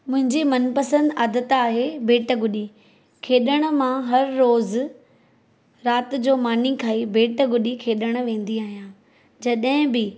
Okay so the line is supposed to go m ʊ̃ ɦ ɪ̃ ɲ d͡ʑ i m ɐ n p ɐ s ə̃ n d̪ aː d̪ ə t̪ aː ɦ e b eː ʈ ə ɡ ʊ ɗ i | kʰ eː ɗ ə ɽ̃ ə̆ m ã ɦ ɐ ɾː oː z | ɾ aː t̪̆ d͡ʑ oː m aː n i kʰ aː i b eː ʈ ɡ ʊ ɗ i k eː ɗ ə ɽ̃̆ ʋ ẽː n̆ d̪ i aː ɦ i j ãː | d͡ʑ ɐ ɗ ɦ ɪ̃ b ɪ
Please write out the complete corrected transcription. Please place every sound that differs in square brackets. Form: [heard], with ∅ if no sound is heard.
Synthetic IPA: m ʊ̃ ɦ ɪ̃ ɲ d͡ʑ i m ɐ n p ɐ s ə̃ n d̪ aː d̪ ə t̪ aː ɦ e b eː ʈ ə ɡ ʊ ɗ i | kʰ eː ɗ ə ɽ̃ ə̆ m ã ɦ ɐ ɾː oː z | ɾ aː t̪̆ d͡ʑ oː m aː n i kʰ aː i b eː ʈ ɡ ʊ ɗ i [kʰ] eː ɗ ə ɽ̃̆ ʋ ẽː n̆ d̪ i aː ɦ i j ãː | d͡ʑ ɐ ɗ ɦ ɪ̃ b ɪ

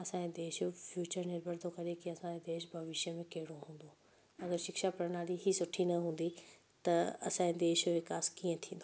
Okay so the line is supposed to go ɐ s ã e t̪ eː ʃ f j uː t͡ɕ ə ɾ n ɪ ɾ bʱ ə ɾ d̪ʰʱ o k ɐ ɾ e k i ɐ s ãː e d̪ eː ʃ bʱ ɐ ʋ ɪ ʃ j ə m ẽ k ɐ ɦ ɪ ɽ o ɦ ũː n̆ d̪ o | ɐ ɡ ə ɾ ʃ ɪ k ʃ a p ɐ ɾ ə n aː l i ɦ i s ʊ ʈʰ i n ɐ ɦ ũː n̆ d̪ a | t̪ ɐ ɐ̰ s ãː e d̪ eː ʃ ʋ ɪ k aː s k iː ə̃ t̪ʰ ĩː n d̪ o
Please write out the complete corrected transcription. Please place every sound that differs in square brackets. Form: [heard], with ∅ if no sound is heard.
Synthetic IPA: ɐ s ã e [d̪] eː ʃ f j uː t͡ɕ ə ɾ n ɪ ɾ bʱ ə ɾ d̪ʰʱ o k ɐ ɾ e k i ɐ s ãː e d̪ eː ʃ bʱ ɐ ʋ ɪ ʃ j ə m ẽ k ɐ ɦ ɪ ɽ o ɦ ũː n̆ d̪ o | ɐ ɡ ə ɾ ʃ ɪ k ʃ a p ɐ ɾ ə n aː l i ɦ i s ʊ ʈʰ i n ɐ ɦ ũː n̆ d̪ [i] | t̪ ɐ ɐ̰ s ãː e d̪ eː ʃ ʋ ɪ k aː s k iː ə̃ t̪ʰ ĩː n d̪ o

